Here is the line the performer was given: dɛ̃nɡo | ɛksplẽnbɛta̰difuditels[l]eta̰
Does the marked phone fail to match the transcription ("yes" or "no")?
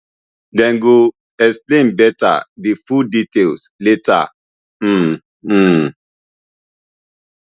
no